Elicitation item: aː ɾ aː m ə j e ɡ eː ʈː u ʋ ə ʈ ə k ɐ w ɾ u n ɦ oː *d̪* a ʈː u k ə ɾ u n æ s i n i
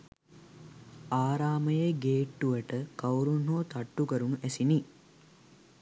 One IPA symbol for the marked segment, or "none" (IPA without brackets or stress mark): t̪